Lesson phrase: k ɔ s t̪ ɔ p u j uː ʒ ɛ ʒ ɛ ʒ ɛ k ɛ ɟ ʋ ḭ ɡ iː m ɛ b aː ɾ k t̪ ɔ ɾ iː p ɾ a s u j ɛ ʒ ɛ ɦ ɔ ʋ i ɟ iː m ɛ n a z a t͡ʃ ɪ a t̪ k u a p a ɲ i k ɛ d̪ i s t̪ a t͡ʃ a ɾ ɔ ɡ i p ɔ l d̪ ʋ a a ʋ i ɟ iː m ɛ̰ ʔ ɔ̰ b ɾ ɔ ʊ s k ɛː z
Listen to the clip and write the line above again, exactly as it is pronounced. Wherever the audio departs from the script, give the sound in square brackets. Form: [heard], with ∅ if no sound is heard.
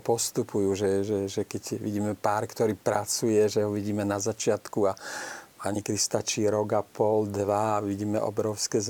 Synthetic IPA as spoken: [p] ɔ s t̪ [u] p u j uː ʒ ɛ ʒ ɛ ʒ ɛ k ɛ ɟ ʋ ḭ [ɟ] iː m ɛ [p] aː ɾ k t̪ ɔ ɾ iː p ɾ a [t͡s] u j ɛ ʒ ɛ ɦ ɔ ʋ i ɟ iː m ɛ n a z a t͡ʃ ɪ a t̪ k u a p a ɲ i k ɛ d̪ i s t̪ a t͡ʃ [i] ɾ ɔ ɡ [a] p ɔ l d̪ ʋ a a ʋ i ɟ iː m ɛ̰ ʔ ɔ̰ b ɾ ɔ ʊ s k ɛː z